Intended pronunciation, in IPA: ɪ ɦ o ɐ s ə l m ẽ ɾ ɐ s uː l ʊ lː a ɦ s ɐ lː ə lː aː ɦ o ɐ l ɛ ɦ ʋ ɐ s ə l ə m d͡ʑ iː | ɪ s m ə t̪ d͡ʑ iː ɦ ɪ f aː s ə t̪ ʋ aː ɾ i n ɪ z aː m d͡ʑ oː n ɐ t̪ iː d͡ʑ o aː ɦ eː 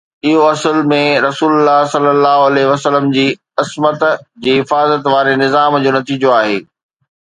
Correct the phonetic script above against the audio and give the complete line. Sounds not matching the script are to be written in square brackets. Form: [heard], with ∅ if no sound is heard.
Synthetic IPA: ɪ ɦ o ɐ s ə l m ẽ ɾ ɐ s uː l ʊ lː a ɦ s ɐ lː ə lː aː ɦ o ɐ l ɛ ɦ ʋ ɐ s ə l ə m d͡ʑ iː | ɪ s m ə t̪ d͡ʑ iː ɦ ɪ f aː [z] ə t̪ ʋ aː ɾ [e] n ɪ z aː m d͡ʑ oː n ɐ t̪ iː d͡ʑ o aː ɦ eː